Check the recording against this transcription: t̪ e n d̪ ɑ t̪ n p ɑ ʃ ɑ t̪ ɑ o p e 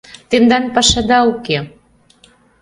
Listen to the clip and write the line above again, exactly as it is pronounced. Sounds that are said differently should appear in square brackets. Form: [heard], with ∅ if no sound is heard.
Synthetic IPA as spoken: t̪ e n d̪ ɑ [∅] n p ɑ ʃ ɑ [d̪] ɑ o [k] e